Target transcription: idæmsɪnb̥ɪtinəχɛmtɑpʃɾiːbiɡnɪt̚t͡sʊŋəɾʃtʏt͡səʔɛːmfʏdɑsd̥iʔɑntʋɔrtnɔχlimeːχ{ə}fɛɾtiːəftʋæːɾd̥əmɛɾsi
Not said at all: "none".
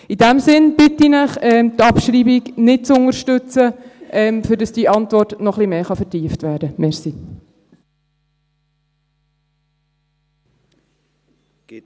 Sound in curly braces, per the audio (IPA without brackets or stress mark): ɑ